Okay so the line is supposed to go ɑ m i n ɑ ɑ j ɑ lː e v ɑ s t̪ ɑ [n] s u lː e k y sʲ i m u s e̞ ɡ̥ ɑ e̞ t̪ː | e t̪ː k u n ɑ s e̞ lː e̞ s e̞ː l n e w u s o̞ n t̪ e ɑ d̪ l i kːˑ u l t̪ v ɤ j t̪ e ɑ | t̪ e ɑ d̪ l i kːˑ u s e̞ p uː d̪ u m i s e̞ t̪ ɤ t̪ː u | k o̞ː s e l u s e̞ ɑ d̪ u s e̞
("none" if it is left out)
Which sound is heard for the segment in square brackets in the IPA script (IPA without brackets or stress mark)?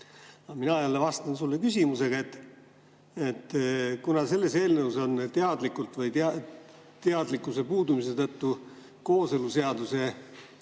n